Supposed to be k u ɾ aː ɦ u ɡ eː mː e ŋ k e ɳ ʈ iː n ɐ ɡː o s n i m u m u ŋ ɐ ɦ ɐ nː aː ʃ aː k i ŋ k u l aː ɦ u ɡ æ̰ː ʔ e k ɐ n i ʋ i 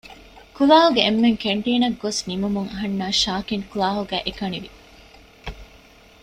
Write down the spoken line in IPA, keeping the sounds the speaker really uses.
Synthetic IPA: k u l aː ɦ u ɡ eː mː e ŋ k e ɳ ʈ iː n ɐ ɡː o s n i m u m u ŋ ɐ ɦ ɐ nː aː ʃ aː k i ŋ k u l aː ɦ u ɡ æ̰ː ʔ e k ɐ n i ʋ i